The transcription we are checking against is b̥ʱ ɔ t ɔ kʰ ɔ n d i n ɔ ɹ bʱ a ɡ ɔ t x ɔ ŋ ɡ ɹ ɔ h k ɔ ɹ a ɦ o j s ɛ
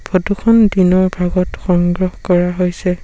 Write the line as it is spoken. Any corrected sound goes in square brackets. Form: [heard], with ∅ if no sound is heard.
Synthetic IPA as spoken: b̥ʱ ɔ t [u] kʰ ɔ n d i n ɔ ɹ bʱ a ɡ ɔ t x ɔ ŋ ɡ ɹ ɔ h k ɔ ɹ a ɦ o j s ɛ